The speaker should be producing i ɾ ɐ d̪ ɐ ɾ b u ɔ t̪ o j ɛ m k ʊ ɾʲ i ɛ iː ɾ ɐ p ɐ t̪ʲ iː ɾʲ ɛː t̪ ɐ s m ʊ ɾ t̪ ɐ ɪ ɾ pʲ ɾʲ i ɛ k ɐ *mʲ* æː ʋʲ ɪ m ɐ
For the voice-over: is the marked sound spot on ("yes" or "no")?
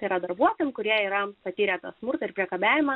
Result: no